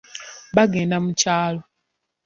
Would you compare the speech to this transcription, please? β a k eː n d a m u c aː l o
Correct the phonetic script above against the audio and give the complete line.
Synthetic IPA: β a ɡ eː n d a m u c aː l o